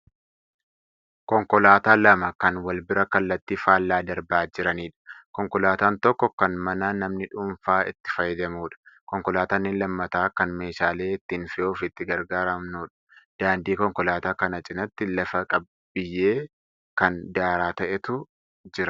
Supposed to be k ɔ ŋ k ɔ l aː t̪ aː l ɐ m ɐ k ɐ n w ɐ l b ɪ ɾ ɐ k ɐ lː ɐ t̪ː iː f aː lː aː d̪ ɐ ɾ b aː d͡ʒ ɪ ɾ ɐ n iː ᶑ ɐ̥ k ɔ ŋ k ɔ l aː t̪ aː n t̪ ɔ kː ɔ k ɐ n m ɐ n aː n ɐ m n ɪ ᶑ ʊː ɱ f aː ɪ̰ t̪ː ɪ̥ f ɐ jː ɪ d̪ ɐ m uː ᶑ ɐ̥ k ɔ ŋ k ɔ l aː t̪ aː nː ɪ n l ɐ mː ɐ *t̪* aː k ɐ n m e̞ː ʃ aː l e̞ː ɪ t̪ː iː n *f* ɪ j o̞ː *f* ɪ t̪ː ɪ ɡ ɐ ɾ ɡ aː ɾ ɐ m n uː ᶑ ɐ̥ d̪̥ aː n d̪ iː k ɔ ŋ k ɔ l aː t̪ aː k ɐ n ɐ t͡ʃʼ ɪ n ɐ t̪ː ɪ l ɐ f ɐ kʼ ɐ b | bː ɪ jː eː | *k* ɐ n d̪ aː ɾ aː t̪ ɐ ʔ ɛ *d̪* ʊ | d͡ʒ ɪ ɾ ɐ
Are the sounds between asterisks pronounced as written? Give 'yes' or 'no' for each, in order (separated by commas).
yes, yes, yes, yes, no